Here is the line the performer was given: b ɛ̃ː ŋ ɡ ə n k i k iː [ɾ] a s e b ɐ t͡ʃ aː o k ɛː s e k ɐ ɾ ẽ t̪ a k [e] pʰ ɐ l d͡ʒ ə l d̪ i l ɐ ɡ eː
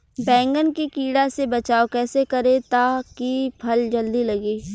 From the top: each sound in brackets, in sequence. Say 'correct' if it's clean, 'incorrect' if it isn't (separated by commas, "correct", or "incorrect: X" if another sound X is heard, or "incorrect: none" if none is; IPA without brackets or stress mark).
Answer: incorrect: ɽ, incorrect: i